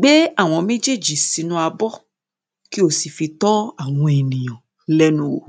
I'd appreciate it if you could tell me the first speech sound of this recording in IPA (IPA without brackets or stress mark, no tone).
ɡ͡b